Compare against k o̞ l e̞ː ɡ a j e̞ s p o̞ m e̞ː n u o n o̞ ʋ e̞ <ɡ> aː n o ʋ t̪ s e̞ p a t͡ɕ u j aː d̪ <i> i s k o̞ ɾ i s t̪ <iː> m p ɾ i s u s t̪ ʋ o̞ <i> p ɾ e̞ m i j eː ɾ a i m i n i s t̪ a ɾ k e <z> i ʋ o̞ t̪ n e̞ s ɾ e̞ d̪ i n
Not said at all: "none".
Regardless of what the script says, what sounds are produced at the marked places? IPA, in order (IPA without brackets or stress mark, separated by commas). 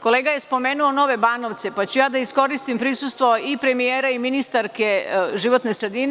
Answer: b, a, i, i, ʒ